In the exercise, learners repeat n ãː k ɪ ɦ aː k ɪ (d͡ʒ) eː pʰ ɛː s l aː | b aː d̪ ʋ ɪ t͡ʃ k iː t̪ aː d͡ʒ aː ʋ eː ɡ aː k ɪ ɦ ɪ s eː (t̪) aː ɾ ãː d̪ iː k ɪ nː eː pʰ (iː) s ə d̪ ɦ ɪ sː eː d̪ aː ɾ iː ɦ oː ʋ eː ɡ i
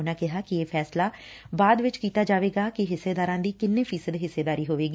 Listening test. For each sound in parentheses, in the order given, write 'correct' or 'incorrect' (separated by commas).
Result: incorrect, incorrect, correct